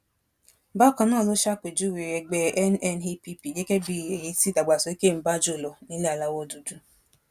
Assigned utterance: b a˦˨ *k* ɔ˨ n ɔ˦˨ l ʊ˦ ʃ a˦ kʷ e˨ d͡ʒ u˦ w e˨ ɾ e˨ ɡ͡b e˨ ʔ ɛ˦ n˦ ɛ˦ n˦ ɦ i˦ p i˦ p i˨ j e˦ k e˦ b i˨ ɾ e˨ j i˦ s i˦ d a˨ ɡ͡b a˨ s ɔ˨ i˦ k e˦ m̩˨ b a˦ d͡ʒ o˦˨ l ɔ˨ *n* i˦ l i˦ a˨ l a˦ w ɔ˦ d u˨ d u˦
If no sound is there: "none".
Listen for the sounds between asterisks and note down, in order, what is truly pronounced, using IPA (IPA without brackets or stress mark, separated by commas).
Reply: k, n